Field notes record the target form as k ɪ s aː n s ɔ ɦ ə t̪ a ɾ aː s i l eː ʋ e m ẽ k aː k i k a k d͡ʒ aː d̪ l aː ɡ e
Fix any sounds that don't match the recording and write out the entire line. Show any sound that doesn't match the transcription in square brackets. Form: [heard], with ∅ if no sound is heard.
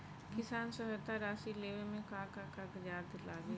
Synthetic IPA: k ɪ s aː n s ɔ ɦ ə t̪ a ɾ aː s i l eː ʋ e m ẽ k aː k [a] k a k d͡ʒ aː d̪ l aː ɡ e

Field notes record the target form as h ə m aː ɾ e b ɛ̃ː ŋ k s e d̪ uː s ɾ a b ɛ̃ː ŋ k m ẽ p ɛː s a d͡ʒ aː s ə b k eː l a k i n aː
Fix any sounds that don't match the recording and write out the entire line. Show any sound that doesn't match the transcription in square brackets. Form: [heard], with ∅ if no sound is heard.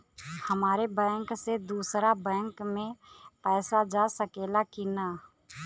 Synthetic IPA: h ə m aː ɾ e b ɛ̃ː ŋ k s e d̪ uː s ɾ a b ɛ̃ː ŋ k m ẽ p ɛː s a d͡ʒ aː s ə [∅] k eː l a k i n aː

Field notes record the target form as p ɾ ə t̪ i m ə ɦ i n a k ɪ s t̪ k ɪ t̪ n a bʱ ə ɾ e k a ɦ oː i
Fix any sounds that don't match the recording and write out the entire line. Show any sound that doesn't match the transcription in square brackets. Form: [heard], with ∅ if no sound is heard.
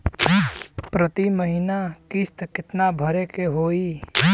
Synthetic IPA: p ɾ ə t̪ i m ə ɦ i n a k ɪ s t̪ k ɪ t̪ n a bʱ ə ɾ e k [e] ɦ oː i

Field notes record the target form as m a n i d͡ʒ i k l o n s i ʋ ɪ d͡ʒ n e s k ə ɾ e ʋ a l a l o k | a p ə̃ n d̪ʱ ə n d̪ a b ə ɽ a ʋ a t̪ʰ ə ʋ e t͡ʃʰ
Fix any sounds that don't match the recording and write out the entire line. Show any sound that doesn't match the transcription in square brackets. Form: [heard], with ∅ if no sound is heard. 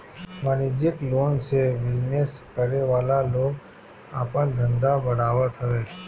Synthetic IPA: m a n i d͡ʒ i k l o n s [e] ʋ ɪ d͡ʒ n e s k ə ɾ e ʋ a l a l o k | a p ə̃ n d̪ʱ ə n d̪ a b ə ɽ a ʋ a t̪ʰ ə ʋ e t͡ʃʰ

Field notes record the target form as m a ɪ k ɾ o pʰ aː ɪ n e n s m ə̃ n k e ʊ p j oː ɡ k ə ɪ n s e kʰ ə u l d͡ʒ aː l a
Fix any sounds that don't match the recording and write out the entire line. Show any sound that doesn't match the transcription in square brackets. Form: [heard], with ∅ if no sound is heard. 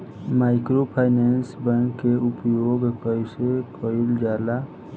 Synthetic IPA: m a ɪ k ɾ o pʰ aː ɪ n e n s [b] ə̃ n k e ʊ p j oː ɡ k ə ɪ [∅] s e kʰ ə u l d͡ʒ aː l a

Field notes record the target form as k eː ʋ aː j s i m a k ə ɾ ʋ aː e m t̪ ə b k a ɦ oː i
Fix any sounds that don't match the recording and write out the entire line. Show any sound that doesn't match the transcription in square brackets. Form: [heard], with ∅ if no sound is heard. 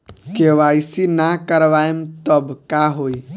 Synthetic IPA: k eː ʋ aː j s i [n] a k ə ɾ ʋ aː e m t̪ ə b k a ɦ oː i

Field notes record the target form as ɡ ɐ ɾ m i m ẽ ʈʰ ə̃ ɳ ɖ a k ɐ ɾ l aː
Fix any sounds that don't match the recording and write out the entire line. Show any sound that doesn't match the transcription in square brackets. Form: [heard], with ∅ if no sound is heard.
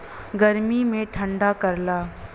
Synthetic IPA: ɡ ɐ ɾ m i m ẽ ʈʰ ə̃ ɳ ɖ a k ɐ ɾ l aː

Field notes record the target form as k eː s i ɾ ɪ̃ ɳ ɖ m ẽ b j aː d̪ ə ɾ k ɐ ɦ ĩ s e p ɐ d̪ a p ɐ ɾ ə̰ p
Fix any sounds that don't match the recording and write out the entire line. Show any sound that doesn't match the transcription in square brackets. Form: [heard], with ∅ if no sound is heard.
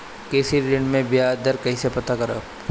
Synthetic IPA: k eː s i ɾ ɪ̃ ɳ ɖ m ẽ b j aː d̪ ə ɾ k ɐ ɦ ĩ s e p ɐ [t̪] a [k] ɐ ɾ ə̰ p

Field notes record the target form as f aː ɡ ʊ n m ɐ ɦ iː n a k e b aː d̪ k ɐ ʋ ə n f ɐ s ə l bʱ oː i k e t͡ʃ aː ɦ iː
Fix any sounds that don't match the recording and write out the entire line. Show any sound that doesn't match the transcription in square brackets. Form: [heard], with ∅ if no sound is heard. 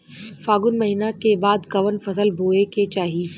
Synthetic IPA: f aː ɡ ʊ n m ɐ ɦ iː n a k e b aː d̪ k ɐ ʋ ə n f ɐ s ə l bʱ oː [e] k e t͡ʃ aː ɦ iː

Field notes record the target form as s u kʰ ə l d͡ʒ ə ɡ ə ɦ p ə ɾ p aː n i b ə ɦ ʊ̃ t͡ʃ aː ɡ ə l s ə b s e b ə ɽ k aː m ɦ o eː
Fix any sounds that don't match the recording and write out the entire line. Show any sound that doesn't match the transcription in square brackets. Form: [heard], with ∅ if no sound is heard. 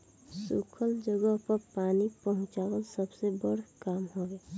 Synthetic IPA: s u kʰ ə l d͡ʒ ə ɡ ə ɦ p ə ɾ p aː n i [p] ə ɦ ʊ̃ t͡ʃ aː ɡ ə l s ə b s e b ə ɽ k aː m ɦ o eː

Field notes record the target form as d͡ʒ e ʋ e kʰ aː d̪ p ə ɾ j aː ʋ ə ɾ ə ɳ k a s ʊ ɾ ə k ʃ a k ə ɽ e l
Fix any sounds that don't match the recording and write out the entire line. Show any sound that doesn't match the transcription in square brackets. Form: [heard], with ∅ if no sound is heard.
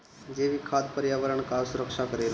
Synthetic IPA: d͡ʒ e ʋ [i] kʰ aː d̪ p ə ɾ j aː ʋ ə ɾ ə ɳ k a s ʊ ɾ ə k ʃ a k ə [ɾ] e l

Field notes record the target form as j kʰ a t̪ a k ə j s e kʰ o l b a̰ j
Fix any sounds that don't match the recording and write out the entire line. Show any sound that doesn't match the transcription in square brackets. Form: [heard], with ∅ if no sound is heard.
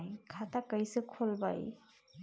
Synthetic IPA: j kʰ a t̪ a k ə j s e kʰ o l b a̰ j

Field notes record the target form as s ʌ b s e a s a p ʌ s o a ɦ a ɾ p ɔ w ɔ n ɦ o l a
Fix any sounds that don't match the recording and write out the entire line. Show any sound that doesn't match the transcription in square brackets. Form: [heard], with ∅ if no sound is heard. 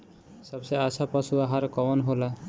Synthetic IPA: s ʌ b s e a s a p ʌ s [u] a ɦ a ɾ [k] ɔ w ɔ n ɦ o l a

